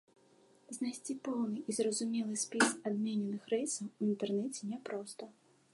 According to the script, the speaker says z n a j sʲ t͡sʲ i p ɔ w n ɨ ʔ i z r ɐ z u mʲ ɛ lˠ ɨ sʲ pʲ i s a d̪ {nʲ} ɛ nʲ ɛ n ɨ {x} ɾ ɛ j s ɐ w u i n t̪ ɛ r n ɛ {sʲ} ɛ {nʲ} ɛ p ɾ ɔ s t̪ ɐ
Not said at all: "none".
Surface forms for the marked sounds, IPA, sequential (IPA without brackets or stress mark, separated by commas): mʲ, x, t͡sʲ, nʲ